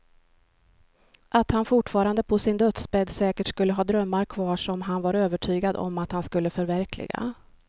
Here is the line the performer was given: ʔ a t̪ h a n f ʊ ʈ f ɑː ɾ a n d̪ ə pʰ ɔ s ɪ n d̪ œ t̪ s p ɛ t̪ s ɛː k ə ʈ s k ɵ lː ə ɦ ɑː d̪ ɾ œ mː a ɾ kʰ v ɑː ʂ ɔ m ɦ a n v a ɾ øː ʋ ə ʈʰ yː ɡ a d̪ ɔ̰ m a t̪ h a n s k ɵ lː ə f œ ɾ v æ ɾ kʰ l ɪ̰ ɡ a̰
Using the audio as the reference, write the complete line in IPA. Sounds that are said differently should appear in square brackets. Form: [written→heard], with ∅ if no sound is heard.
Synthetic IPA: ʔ a t̪ h a n f ʊ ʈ f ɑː ɾ a n d̪ ə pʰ ɔ s ɪ n d̪ œ t̪ s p ɛ [t̪→d̪] s ɛː k ə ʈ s k ɵ lː ə ɦ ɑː d̪ ɾ œ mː a ɾ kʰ v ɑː ʂ ɔ m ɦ a n v a ɾ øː [ʋ→v] ə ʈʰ yː ɡ a d̪ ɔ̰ m a t̪ h a n s k ɵ lː ə f œ ɾ v æ ɾ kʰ l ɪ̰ ɡ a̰